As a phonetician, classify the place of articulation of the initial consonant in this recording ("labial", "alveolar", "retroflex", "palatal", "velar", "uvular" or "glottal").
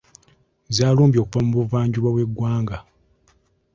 alveolar